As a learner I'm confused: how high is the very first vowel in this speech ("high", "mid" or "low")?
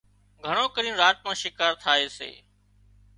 mid